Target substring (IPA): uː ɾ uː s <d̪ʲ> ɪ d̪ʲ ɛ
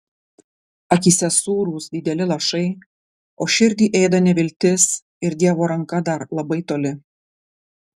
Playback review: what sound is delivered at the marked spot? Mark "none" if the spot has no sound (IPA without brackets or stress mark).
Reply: d̪ʲ